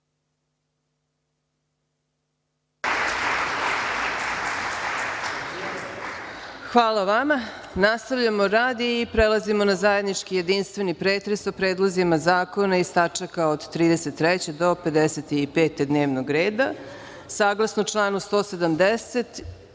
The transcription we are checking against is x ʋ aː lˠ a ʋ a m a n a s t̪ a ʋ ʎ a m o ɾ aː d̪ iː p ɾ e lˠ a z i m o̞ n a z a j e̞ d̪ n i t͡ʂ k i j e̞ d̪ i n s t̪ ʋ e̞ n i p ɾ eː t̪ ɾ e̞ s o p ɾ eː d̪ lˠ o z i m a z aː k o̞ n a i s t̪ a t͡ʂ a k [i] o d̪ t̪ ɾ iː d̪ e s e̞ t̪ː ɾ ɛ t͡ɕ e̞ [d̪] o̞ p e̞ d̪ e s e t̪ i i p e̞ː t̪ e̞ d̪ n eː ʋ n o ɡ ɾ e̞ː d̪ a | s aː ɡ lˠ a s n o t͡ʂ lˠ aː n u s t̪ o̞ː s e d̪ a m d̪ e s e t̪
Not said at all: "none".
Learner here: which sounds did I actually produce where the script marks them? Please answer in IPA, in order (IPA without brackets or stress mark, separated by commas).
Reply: a, d̪